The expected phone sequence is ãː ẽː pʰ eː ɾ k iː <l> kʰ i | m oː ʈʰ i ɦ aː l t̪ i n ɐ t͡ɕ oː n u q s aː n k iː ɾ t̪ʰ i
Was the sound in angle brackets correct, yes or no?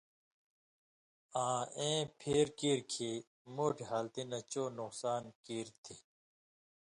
no